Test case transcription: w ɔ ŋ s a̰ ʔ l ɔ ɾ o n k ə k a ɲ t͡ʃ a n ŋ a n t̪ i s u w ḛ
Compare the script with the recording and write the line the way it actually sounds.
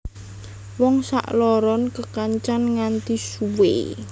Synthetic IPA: w ɔ ŋ s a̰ ʔ l ɔ ɾ ɔ n k ə k a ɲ t͡ʃ a n ŋ a n t̪ i s u w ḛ